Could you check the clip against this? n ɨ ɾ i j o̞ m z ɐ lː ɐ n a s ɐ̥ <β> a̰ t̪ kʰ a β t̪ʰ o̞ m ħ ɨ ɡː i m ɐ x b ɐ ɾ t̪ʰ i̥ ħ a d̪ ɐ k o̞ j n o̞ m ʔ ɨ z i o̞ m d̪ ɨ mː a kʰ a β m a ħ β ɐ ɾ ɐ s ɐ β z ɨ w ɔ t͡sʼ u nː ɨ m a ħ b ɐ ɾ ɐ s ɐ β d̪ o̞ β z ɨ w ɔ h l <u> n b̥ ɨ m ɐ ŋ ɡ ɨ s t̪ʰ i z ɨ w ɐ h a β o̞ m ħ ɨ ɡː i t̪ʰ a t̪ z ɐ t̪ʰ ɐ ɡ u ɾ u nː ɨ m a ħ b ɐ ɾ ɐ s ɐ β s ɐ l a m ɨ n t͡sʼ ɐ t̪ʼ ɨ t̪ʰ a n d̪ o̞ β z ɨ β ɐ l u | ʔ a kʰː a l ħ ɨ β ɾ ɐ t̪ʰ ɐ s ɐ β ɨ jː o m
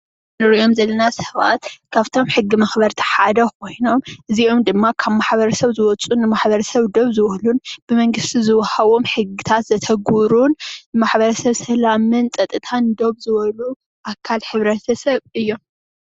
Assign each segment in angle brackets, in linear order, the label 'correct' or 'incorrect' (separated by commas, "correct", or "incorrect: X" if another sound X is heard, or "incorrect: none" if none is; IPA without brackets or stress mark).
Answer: correct, correct